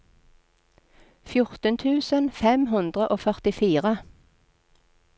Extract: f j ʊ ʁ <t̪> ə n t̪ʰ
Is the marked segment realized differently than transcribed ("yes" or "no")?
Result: no